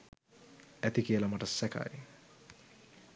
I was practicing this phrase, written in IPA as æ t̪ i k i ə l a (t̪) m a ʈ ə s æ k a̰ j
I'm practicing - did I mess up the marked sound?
yes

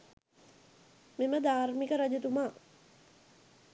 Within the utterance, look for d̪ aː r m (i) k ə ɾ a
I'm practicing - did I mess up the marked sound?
no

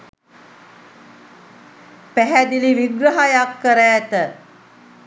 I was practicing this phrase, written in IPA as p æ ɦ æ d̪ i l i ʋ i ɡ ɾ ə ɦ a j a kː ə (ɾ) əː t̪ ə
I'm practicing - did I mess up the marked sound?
no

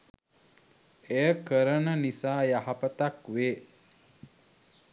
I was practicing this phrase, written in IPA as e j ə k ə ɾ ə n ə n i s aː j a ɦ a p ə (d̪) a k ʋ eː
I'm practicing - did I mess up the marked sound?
yes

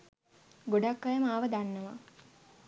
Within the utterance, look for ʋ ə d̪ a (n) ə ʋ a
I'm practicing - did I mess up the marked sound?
yes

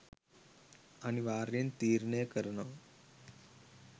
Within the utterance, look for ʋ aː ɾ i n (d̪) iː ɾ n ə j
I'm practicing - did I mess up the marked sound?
yes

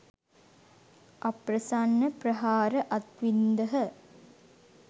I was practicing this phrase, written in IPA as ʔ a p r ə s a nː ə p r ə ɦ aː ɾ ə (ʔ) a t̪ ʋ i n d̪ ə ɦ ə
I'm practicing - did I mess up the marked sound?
no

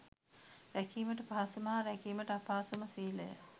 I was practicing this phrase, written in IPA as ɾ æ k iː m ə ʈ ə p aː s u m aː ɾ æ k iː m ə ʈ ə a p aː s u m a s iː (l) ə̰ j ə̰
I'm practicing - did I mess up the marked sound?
no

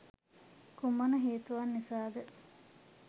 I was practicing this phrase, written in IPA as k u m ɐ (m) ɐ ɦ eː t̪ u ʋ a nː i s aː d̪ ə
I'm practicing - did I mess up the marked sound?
yes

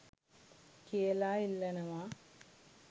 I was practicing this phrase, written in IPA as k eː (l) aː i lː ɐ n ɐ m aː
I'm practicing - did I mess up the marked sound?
no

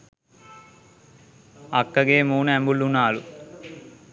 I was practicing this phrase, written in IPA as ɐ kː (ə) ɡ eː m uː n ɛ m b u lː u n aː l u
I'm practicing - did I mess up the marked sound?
yes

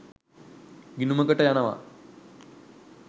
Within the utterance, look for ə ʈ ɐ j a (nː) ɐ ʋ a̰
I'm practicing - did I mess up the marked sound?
yes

